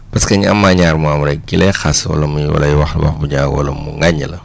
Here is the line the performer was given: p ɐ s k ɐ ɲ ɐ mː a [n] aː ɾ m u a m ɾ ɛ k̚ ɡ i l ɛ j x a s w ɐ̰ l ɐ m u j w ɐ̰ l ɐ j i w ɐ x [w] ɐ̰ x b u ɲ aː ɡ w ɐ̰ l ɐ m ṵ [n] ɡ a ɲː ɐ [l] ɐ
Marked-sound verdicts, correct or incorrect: incorrect: ɲ, correct, incorrect: ŋ, correct

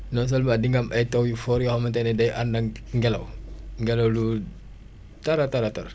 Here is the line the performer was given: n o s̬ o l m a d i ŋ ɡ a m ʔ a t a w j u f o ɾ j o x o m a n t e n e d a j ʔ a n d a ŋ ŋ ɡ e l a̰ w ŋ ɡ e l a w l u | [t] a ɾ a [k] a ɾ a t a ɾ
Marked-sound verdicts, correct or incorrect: correct, incorrect: t

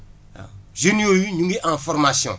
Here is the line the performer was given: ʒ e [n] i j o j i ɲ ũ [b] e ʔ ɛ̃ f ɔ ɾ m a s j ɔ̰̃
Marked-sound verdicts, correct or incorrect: correct, incorrect: ɡ

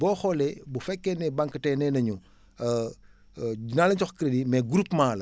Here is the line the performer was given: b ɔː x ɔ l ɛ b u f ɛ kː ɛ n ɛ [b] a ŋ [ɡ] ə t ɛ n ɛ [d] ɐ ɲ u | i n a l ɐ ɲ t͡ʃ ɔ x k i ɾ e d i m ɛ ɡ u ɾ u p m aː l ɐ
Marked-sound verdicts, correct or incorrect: correct, incorrect: k, incorrect: n

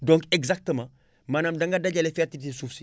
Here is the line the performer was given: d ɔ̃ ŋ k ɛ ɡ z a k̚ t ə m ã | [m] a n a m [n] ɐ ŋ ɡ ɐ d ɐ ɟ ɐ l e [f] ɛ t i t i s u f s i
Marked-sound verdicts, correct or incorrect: correct, incorrect: d, correct

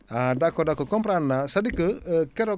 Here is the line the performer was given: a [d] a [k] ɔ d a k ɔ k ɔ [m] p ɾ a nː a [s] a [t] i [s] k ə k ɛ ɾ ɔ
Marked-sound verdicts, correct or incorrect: correct, correct, correct, correct, incorrect: d, incorrect: none

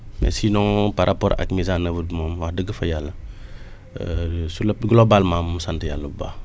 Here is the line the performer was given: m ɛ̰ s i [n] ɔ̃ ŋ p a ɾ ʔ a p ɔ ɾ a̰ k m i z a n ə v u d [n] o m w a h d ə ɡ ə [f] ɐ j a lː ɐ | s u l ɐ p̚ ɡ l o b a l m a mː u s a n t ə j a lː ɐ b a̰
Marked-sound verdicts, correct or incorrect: correct, incorrect: m, correct

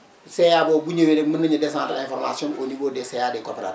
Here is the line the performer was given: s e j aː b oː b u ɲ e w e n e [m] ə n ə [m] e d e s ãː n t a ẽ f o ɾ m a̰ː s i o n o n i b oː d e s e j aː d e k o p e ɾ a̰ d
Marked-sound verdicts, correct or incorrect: correct, incorrect: ɲ

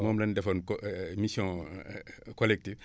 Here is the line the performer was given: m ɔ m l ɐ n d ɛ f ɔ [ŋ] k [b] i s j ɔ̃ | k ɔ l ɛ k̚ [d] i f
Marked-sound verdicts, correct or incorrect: incorrect: n, incorrect: m, incorrect: t

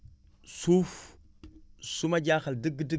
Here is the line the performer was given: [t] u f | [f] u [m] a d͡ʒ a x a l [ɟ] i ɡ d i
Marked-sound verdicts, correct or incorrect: incorrect: s, incorrect: s, correct, incorrect: d

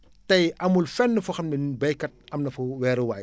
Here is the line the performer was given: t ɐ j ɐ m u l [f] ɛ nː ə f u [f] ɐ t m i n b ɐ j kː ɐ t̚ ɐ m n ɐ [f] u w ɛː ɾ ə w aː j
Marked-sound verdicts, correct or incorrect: correct, incorrect: x, correct

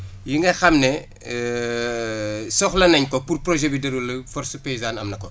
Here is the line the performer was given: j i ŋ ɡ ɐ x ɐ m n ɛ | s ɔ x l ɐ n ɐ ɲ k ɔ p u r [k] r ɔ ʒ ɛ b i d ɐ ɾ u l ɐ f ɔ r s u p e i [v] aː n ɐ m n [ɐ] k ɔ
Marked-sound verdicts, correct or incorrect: incorrect: p, incorrect: z, correct

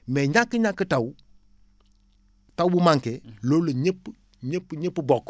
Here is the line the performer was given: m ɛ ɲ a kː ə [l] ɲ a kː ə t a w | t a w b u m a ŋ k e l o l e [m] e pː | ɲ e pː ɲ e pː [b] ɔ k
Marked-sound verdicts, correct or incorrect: incorrect: none, incorrect: ɲ, correct

